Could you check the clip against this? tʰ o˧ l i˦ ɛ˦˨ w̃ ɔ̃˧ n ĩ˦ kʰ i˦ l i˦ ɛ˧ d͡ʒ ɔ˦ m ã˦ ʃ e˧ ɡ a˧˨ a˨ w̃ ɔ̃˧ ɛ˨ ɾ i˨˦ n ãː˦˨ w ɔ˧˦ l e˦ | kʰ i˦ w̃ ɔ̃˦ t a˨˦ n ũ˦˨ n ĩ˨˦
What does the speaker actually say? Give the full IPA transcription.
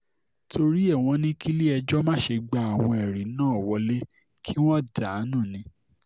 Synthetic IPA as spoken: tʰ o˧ ɾ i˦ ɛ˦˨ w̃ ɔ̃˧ n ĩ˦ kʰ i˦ l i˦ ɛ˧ d͡ʒ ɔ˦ m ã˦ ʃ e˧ ɡ͡b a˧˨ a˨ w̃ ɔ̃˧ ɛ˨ ɾ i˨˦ n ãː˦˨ w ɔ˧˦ l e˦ | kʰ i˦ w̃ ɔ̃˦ d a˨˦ n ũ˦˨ n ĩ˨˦